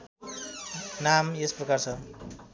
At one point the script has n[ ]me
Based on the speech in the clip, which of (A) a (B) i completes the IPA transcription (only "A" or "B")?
A